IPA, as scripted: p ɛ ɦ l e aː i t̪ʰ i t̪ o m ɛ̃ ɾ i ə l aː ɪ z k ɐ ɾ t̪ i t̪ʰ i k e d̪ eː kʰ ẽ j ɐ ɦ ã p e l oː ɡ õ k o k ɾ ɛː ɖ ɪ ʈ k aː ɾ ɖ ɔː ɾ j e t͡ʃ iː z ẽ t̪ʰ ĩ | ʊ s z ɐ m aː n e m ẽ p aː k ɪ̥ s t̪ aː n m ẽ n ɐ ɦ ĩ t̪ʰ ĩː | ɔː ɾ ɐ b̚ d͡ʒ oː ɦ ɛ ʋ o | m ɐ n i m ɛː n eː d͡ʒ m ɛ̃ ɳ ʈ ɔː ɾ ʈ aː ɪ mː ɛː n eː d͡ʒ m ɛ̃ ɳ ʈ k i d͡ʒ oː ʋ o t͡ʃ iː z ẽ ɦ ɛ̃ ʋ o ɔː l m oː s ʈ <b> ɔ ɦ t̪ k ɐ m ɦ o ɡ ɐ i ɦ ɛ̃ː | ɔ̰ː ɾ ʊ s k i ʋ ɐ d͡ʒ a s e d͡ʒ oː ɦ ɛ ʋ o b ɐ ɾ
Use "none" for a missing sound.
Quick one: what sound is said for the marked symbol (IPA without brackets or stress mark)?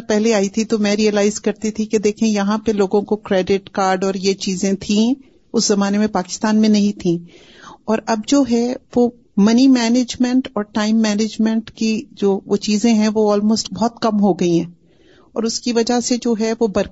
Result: b